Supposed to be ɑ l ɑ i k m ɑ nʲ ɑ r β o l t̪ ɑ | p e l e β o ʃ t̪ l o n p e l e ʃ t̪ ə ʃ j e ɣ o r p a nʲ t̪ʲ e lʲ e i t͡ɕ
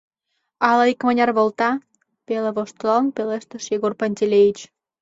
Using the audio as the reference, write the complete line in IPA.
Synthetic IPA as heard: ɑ l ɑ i k m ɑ nʲ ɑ r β o l t̪ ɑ | p e l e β o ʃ t̪ l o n p e l e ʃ t̪ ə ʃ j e ɣ o r p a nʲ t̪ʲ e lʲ e i t͡ɕ